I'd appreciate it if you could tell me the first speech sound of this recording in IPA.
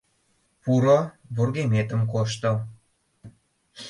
p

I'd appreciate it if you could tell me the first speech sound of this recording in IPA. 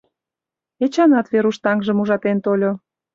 e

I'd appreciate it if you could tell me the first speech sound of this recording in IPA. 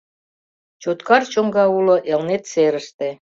t͡ɕ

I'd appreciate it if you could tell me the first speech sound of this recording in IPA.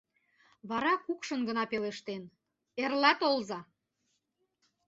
β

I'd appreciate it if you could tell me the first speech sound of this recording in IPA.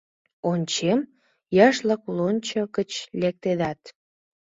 o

